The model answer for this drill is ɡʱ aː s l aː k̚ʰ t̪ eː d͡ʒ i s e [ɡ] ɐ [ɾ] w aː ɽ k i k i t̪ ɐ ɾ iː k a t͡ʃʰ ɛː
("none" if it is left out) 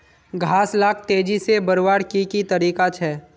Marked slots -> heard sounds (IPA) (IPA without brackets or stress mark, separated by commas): b, ɾ